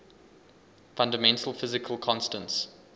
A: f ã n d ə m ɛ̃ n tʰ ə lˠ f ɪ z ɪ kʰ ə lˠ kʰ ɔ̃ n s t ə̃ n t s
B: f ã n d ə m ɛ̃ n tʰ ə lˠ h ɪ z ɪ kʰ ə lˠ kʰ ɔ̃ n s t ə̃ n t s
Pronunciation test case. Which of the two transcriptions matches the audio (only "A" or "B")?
A